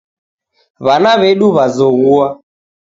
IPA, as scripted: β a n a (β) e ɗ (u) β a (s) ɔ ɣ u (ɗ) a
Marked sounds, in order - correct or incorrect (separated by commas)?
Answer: correct, correct, incorrect, incorrect